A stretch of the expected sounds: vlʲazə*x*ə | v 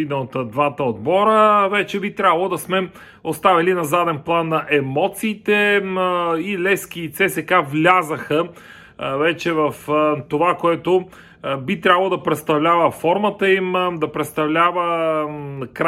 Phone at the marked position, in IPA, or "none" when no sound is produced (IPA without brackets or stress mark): x